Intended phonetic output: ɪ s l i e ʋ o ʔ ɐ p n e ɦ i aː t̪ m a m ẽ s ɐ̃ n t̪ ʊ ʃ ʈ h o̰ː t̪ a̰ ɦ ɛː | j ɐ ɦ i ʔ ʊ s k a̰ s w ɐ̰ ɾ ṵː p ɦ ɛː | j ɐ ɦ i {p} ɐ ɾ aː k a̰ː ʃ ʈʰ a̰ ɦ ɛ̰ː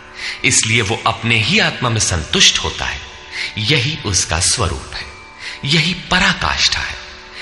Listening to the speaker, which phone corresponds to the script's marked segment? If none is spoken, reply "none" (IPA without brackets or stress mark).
p